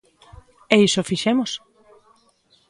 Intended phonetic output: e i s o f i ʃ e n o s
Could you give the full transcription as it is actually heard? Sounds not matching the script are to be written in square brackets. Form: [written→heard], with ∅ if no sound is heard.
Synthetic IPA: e i s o f i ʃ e [n→m] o s